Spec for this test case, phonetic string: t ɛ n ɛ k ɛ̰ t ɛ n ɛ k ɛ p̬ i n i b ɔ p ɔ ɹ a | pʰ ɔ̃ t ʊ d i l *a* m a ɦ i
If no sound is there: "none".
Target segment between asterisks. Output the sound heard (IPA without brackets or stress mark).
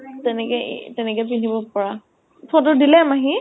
ɛ